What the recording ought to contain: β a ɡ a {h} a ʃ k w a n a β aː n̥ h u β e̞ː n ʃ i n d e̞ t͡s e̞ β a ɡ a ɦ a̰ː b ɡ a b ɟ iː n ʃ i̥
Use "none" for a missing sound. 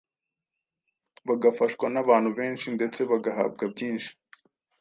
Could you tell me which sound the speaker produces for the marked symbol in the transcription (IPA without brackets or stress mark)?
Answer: f